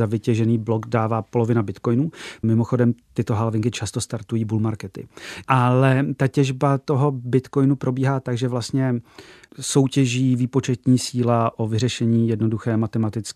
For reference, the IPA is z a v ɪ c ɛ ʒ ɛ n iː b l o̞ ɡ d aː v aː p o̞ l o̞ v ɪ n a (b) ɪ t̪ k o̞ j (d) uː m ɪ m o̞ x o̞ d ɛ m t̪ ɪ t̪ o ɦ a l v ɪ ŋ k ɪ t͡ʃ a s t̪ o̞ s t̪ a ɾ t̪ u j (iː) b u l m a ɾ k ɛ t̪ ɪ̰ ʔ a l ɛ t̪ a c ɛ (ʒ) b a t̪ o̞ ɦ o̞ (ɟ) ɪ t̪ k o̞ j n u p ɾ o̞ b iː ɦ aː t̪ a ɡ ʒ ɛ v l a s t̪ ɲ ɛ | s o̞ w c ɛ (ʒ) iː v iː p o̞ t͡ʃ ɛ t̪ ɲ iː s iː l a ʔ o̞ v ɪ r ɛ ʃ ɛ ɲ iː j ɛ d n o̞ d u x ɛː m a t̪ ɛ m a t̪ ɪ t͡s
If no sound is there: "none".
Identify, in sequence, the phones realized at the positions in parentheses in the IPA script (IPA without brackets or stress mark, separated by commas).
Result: b, n, iː, ʒ, b, ʒ